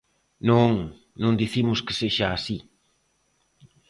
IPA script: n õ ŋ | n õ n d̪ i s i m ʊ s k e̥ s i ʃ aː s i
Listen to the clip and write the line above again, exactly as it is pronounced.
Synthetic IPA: n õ ŋ | n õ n d̪ i θ i m ʊ s k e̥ s e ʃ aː s i